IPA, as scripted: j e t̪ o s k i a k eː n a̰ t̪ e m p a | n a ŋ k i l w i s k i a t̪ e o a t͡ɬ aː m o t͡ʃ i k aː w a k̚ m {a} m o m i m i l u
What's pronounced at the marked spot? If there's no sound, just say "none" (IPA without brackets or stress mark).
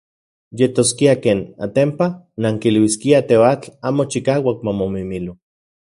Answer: a